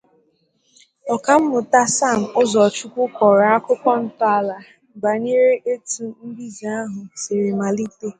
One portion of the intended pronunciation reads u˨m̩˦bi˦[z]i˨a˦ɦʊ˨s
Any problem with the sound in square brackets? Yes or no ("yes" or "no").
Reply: no